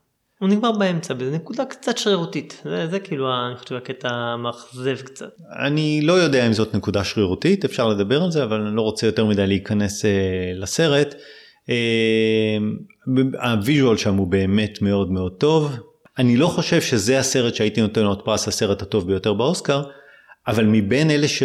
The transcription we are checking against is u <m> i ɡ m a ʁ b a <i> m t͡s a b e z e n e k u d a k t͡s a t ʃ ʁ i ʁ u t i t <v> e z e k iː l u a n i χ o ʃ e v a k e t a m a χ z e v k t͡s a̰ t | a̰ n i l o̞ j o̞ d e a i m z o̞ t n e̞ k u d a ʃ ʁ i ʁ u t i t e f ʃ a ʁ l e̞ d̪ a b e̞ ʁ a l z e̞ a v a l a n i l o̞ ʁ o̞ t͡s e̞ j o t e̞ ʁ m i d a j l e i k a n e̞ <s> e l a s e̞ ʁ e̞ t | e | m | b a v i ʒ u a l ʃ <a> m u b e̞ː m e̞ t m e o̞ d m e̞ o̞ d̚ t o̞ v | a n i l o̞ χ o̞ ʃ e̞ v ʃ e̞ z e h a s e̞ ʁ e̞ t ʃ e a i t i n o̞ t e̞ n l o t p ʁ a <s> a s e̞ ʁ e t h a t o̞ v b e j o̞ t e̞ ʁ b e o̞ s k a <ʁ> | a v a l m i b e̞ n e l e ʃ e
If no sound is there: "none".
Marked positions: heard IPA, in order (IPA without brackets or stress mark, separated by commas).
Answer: n, e, z, s, a, s, ʁ